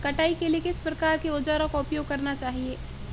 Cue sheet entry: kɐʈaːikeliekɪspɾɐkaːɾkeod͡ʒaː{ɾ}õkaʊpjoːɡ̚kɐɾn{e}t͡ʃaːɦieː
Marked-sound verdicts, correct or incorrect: correct, incorrect: a

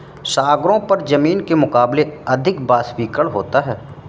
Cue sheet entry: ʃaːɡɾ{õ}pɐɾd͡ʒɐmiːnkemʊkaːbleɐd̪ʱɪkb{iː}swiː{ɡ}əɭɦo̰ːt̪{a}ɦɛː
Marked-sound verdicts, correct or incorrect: correct, incorrect: aː, incorrect: k, correct

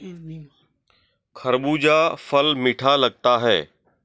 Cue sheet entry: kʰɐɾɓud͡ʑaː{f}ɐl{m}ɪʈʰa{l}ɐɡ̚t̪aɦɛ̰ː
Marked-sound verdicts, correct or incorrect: correct, correct, correct

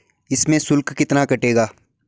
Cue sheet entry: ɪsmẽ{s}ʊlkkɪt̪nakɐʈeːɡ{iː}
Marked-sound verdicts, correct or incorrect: correct, incorrect: aː

